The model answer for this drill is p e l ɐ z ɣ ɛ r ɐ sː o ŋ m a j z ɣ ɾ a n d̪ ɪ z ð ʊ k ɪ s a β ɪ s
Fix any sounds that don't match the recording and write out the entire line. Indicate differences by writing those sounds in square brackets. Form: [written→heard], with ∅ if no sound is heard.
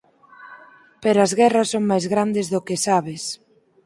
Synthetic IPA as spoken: p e [l→ɾ] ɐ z ɣ ɛ r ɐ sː o ŋ m a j z ɣ ɾ a n d̪ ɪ z ð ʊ k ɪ s a β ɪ s